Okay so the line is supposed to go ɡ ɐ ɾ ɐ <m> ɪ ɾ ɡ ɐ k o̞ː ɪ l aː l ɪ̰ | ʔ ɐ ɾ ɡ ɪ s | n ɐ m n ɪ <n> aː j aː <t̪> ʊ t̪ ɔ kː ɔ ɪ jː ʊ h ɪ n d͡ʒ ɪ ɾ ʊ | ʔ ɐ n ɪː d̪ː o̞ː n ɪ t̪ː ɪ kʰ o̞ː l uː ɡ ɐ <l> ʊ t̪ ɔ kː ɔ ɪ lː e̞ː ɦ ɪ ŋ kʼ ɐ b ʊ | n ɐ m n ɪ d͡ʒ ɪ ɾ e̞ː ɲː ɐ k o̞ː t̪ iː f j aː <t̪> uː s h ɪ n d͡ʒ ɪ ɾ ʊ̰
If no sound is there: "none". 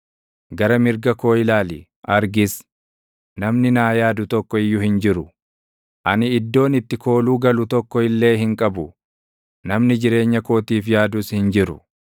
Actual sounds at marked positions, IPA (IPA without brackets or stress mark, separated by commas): m, n, d̪, l, d̪